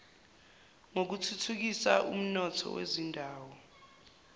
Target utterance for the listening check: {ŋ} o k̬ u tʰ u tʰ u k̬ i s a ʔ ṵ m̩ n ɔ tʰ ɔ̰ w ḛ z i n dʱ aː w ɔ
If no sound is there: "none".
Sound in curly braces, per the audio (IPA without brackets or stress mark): ŋ